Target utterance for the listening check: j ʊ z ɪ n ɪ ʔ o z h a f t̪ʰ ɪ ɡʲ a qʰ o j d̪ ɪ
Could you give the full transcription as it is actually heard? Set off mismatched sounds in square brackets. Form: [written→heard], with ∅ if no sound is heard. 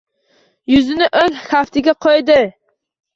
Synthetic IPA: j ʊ z ɪ n ɪ ʔ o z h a f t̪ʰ ɪ ɡʲ a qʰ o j d̪ ɪ